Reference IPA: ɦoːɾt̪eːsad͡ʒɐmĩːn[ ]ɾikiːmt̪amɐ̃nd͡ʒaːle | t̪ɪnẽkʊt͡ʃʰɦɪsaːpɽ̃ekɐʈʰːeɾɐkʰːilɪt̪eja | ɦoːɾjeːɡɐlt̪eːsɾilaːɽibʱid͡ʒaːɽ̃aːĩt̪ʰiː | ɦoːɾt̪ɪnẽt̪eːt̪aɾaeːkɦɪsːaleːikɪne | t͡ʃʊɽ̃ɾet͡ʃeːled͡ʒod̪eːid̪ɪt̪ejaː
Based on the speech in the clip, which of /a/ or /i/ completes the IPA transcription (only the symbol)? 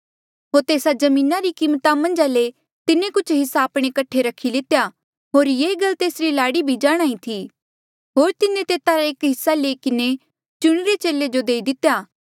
a